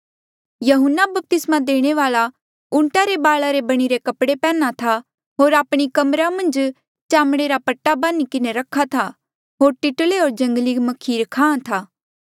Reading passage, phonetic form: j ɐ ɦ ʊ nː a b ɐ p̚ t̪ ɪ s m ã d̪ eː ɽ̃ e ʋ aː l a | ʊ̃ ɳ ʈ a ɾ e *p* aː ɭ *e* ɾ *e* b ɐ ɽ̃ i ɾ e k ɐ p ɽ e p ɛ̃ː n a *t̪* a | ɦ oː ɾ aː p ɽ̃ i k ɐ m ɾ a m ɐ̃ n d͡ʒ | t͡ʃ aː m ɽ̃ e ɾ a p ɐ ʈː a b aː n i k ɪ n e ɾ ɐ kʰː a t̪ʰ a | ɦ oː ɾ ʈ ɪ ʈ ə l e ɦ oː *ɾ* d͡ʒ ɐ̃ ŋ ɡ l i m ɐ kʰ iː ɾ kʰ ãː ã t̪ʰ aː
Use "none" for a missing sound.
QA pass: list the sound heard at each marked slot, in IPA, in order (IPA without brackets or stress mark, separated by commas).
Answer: b, a, e, t̪ʰ, ɾ